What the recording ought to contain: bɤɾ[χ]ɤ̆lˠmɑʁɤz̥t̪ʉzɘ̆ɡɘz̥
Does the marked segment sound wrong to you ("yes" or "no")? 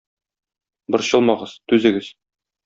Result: yes